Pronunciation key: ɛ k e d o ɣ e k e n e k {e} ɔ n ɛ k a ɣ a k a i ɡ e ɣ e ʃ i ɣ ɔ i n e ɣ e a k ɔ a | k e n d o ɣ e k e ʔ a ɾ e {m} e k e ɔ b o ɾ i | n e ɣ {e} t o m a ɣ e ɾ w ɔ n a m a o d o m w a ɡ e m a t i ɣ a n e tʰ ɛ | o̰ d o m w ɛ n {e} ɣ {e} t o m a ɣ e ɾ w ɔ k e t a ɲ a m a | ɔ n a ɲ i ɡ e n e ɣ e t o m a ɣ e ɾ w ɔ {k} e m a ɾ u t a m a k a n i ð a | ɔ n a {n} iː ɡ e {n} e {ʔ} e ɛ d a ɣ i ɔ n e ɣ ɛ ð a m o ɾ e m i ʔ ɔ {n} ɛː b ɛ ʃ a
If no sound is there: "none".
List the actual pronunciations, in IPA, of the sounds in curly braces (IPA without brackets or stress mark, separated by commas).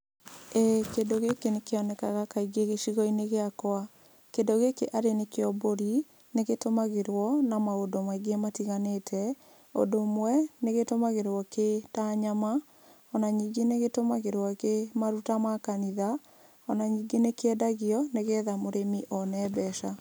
e, n, e, e, e, k, ɲ, n, k, n